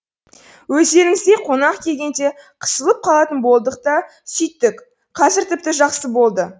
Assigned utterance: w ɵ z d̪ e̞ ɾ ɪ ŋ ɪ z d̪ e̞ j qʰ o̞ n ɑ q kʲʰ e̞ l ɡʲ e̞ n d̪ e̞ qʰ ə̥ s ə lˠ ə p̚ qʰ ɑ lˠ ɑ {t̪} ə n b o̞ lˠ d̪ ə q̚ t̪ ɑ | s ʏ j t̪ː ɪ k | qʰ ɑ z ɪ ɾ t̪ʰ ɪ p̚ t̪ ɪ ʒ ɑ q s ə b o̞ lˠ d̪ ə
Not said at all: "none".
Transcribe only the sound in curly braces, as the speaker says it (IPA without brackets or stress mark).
t̪